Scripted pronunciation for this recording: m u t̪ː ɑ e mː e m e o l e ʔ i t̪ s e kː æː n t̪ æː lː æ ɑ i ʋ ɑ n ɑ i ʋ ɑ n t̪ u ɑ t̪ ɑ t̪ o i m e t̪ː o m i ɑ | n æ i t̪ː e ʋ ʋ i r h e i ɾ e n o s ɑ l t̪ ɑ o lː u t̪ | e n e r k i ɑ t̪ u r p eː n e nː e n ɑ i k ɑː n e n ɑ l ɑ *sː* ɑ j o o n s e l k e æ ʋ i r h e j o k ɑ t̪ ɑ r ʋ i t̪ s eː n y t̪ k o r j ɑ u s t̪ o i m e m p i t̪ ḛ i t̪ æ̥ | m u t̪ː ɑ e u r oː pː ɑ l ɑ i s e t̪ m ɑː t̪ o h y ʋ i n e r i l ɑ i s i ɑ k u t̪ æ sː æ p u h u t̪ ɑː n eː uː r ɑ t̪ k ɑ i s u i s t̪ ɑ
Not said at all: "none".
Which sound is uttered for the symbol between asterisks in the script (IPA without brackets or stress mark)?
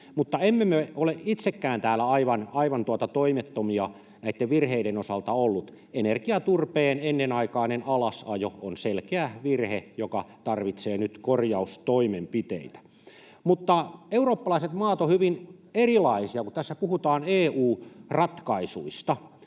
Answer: s